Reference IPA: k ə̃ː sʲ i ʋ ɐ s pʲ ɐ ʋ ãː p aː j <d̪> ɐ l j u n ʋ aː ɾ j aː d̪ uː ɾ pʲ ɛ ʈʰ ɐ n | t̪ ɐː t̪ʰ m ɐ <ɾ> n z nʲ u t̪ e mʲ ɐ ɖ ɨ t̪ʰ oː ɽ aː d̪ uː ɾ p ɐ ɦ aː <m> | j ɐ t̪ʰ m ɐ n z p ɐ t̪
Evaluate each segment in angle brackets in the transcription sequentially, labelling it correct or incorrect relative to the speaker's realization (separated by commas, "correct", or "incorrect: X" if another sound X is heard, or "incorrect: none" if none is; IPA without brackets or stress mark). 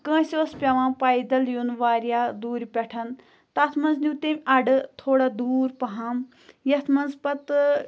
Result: correct, incorrect: none, correct